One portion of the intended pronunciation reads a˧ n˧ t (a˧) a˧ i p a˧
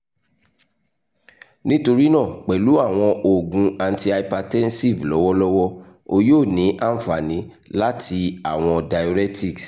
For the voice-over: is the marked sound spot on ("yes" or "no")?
no